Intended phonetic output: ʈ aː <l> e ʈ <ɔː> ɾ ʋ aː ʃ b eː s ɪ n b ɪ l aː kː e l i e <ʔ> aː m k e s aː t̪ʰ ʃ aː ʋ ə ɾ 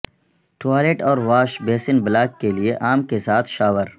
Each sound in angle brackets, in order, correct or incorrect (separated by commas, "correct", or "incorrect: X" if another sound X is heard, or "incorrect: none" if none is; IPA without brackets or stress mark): correct, correct, correct